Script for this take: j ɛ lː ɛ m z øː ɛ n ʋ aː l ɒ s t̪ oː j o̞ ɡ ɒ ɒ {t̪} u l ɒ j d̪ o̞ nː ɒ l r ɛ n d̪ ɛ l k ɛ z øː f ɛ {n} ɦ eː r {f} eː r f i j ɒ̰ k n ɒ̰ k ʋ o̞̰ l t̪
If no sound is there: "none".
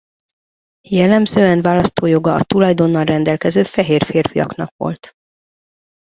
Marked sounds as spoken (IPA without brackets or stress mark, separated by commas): t̪, none, f